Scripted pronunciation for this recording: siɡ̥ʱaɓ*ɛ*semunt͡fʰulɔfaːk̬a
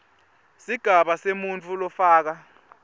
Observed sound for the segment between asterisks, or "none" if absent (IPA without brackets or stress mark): a